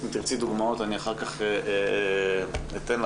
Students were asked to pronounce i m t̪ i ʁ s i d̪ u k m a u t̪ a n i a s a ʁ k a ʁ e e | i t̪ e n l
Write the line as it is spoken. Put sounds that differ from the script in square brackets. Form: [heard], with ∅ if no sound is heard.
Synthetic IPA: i m t̪ i ʁ [t͡s] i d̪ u [ɡ] m a [o] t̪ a n i a [χ] a ʁ k a [χ] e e | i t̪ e n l